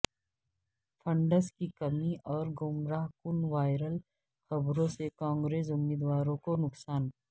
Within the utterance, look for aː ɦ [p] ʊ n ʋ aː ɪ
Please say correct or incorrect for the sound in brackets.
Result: incorrect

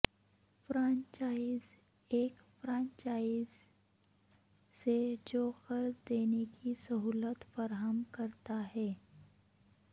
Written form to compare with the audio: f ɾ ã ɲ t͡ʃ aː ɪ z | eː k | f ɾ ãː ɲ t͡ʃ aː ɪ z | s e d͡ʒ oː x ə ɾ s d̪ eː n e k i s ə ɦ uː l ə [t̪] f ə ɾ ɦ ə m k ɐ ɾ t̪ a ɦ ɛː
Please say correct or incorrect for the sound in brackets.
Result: correct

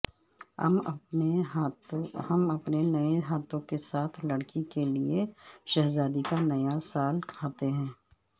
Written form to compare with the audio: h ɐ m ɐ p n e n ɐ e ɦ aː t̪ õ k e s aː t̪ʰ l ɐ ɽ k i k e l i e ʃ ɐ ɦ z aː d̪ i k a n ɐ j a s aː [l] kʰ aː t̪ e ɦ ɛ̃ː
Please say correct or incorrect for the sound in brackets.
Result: correct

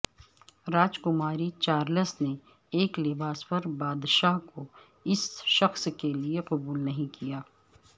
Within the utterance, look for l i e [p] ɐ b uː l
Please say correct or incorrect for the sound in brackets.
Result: incorrect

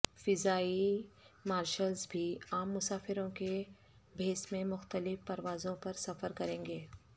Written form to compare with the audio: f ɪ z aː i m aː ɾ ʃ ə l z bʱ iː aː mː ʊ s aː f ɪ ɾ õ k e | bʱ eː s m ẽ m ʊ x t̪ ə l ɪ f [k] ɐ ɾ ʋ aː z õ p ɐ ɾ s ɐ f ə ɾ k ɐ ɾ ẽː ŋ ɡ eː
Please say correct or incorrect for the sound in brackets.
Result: incorrect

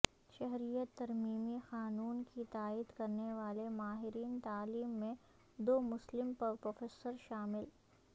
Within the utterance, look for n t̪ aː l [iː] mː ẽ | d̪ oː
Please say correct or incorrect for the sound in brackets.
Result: correct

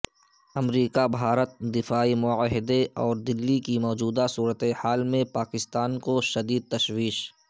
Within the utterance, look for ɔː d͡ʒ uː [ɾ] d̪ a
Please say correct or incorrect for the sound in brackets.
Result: incorrect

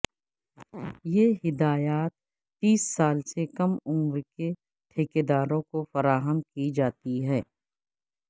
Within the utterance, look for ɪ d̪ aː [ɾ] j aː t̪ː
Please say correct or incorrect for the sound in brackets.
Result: incorrect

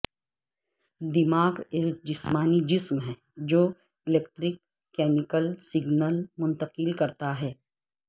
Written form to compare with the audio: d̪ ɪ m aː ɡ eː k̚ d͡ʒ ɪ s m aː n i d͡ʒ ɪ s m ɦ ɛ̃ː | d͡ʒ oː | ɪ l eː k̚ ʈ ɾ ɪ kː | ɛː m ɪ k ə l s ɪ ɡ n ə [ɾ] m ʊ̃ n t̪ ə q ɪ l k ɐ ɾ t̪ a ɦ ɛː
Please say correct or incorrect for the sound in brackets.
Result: incorrect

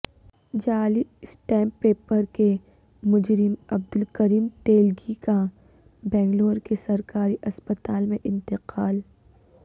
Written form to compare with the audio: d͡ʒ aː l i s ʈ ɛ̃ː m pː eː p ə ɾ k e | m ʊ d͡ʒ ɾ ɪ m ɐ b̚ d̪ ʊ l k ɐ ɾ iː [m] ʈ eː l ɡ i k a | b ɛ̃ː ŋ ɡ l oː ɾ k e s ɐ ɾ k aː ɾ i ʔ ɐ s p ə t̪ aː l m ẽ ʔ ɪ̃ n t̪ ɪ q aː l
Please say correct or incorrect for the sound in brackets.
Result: correct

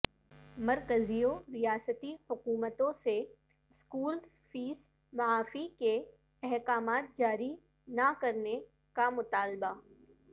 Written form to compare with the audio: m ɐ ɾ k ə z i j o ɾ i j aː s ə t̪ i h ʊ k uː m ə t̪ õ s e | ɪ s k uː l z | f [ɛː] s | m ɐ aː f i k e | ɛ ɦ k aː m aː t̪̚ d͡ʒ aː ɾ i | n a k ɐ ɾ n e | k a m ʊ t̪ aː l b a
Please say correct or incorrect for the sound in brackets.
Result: incorrect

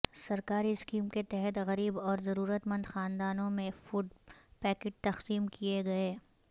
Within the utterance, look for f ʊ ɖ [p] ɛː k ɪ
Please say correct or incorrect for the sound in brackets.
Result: correct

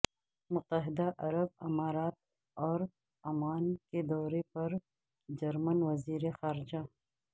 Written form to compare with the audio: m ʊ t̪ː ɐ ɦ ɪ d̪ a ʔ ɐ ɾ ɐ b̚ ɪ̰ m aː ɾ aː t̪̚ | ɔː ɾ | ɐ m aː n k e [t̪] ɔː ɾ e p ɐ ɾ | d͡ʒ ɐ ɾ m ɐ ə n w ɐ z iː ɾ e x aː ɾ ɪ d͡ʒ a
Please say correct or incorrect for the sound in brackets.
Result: incorrect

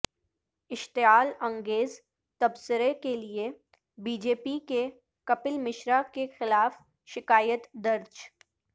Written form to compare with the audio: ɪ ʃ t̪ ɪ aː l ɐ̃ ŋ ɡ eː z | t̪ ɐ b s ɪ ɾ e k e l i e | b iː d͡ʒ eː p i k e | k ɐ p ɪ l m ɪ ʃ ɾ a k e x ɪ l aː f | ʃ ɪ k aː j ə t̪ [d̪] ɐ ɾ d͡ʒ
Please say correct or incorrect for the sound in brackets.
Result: correct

